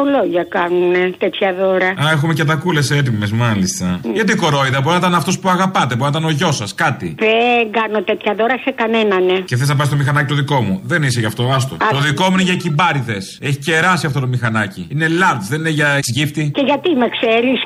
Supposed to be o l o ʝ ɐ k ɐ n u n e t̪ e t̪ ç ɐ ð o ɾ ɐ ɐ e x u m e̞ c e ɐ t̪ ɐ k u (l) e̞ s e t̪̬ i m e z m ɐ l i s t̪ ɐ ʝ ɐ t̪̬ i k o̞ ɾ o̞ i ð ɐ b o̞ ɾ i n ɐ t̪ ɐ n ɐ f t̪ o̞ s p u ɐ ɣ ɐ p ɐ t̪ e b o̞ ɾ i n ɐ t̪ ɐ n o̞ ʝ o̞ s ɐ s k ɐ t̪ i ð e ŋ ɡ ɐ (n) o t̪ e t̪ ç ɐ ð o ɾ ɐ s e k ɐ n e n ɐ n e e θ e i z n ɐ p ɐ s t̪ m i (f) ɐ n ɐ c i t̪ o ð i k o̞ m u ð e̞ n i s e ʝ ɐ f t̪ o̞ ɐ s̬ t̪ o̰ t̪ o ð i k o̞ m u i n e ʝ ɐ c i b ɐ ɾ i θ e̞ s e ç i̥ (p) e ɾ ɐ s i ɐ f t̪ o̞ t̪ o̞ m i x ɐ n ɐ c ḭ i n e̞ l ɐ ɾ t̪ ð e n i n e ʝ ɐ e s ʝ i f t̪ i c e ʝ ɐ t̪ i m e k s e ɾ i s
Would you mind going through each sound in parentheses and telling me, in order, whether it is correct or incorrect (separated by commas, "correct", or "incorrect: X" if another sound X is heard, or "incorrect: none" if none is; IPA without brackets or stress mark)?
correct, correct, incorrect: x, incorrect: c